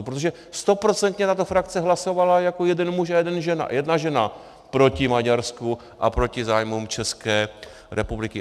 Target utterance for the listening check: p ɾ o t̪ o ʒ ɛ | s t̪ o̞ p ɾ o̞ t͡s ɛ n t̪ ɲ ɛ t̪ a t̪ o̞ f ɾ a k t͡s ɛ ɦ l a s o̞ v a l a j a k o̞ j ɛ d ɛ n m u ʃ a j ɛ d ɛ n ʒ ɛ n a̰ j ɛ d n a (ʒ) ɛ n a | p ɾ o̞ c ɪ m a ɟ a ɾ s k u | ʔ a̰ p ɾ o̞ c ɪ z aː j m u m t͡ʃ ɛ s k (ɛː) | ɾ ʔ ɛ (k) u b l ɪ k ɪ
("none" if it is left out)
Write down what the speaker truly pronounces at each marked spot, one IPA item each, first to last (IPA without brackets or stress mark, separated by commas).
ʒ, ɛː, p